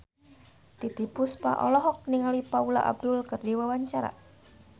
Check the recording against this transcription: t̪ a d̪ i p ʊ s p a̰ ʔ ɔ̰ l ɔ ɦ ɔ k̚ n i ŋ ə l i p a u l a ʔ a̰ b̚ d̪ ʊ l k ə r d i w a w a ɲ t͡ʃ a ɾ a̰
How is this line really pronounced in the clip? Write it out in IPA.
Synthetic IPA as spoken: t̪ i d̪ i p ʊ s p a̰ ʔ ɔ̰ l ɔ ɦ ɔ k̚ n i ŋ a l i p a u l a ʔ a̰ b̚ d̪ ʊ l k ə r d i w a w a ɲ t͡ʃ a ɾ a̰